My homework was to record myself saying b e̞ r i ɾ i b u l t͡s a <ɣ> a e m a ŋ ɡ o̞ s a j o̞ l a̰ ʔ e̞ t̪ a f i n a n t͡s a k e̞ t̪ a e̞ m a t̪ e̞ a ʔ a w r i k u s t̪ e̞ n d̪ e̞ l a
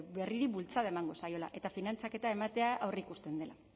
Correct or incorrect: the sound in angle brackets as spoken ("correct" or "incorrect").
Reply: incorrect